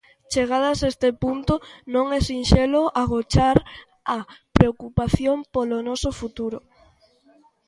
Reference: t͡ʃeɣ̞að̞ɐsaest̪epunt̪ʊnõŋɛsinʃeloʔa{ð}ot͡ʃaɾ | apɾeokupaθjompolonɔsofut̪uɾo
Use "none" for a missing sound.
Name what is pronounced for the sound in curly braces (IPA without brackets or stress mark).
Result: ɣ